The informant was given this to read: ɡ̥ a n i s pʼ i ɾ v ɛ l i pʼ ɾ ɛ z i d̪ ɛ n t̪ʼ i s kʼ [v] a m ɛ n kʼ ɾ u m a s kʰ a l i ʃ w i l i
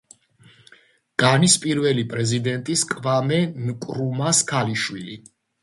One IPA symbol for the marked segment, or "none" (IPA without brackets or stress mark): v